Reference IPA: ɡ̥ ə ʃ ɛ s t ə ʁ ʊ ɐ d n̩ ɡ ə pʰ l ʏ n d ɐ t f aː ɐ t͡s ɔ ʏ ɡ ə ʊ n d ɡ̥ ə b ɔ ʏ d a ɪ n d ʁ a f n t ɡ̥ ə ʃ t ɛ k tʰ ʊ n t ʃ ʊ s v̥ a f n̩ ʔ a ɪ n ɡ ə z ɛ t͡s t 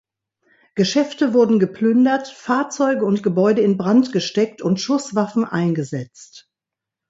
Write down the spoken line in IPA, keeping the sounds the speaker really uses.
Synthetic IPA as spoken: ɡ̥ ə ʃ ɛ f t ə v ʊ ɐ d n̩ ɡ ə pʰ l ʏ n d ɐ t f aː ɐ t͡s ɔ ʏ ɡ ə ʊ n t ɡ̥ ə b ɔ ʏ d ə ɪ n b ʁ a n t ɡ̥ ə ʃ t ɛ k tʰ ʊ n t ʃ ʊ s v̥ a f n̩ ʔ a ɪ n ɡ ə z ɛ t͡s t

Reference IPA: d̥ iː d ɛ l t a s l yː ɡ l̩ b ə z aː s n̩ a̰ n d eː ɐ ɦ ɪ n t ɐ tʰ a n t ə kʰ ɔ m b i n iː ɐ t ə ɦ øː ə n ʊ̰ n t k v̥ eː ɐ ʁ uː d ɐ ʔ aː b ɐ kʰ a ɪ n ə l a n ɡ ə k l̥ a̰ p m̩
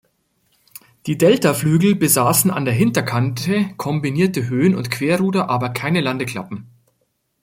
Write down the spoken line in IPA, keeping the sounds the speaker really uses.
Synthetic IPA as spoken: d̥ iː d ɛ l t a f l yː ɡ l̩ b ə z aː s n̩ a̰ n d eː ɐ ɦ ɪ n t ɐ kʰ a n t ə kʰ ɔ m b i n iː ɐ t ə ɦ øː ə n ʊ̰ n t k v̥ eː ɐ ʁ uː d ɐ ʔ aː b ɐ kʰ a ɪ n ə l a n d ə k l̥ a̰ p m̩

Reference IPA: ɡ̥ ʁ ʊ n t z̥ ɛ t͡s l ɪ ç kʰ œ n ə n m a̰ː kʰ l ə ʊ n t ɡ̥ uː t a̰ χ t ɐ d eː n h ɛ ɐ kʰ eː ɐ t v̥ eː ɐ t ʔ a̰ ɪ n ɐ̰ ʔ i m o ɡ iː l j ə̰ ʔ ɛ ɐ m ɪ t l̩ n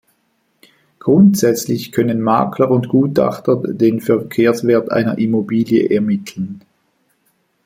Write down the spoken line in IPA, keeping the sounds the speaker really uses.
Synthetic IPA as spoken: ɡ̥ ʁ ʊ n t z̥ ɛ t͡s l ɪ ç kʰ œ n ə n m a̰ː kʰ l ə ʊ n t ɡ̥ uː t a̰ χ t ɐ d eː n f ɛ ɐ kʰ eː ɐ s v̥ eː ɐ t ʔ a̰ ɪ n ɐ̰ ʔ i m o b iː l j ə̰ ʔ ɛ ɐ m ɪ tʰ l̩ n

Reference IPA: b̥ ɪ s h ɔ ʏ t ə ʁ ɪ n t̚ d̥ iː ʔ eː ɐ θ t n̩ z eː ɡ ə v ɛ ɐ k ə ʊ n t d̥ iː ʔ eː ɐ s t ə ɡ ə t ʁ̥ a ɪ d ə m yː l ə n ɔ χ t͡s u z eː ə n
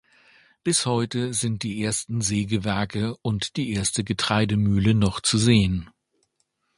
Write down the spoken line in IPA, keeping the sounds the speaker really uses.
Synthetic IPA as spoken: b̥ ɪ s h ɔ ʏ t ə z ɪ n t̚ d̥ iː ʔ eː ɐ s t n̩ z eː ɡ ə v ɛ ɐ k ə ʊ n t d̥ iː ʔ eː ɐ s t ə ɡ ə t ʁ̥ a ɪ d ə m yː l ə n ɔ χ t͡s u z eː ə n

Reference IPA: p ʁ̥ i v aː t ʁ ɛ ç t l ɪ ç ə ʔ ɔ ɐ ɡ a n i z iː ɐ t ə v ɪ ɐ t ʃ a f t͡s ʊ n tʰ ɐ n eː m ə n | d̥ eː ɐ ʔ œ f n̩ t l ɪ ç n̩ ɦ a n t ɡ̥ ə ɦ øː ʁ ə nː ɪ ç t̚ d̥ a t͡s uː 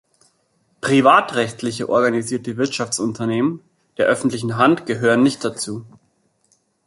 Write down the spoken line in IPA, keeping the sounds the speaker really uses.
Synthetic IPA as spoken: p ʁ̥ i v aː t ʁ ɛ ç t l ɪ ç ə ʔ ɔ ɐ ɡ a n i z iː ɐ t ə v ɪ ɐ t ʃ a f t͡s ʊ n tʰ ɐ n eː m ə n | d̥ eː ɐ ʔ œ f n̩ t l ɪ ç n̩ ɦ a n t ɡ̥ ə ɦ øː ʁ ə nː ɪ ç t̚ d̥ a t͡s uː

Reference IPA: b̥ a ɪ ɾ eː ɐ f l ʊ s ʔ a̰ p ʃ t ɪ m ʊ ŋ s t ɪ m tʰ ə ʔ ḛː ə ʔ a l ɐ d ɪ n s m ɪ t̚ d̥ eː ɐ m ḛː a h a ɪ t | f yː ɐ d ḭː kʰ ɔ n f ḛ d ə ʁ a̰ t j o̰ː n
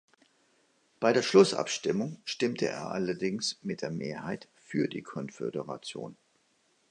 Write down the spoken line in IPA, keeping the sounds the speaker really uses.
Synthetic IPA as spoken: b̥ a ɪ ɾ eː ɐ ʃ l ʊ s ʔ a̰ p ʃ t ɪ m ʊ ŋ ʃ t ɪ m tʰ ə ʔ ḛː ɐ ʔ a l ɐ d ɪ ŋ s m ɪ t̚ d̥ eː ɐ m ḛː ɐ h a ɪ t | f yː ɐ d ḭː kʰ ɔ n f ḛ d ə ʁ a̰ t͡s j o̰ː n

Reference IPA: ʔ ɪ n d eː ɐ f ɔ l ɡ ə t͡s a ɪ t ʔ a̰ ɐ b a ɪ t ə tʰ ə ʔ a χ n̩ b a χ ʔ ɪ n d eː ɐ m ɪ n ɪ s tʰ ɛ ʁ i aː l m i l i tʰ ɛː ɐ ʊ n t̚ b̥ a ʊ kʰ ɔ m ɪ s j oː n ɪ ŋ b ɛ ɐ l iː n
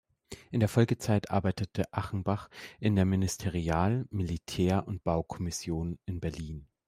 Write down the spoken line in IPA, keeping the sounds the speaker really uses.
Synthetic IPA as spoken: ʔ ɪ n d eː ɐ f ɔ l ɡ ə t͡s a ɪ t ʔ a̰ ɐ b a ɪ t ə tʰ ə ʔ a χ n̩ b a χ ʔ ɪ n d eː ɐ m ɪ n ɪ s tʰ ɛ ʁ i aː l m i l i tʰ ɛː ɐ ʊ n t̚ b̥ a ʊ kʰ ɔ m ɪ s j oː n ɪ n b ɛ ɐ l iː n

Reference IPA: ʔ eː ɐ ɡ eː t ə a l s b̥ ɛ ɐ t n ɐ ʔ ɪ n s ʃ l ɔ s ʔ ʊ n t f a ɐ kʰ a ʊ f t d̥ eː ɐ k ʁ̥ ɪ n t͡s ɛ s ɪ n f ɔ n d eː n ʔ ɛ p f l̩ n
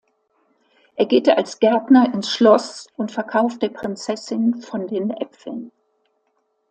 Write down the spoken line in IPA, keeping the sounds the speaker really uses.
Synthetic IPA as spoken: ʔ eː ɐ ɡ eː t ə a l s ɡ̥ ɛ ɐ t n ɐ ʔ ɪ n s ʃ l ɔ s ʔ ʊ n t f ɛ ɐ kʰ a ʊ f t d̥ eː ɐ p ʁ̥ ɪ n t͡s ɛ s ɪ n f ɔ n d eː n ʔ ɛ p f l̩ n

